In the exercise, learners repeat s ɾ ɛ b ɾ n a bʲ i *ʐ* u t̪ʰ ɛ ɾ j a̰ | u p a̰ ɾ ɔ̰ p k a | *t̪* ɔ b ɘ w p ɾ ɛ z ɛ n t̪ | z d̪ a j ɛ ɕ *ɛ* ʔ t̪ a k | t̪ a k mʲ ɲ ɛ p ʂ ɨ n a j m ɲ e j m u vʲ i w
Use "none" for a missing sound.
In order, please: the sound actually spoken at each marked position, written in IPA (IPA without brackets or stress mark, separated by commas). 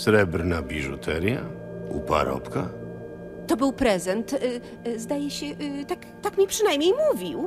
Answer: ʐ, t̪, ɛ